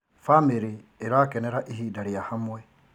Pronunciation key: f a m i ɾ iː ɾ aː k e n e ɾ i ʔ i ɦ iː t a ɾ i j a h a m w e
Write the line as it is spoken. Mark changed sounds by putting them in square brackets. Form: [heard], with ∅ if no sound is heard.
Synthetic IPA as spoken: f a m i ɾ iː ɾ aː k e n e ɾ [a] ʔ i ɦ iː [d] a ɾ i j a h a m w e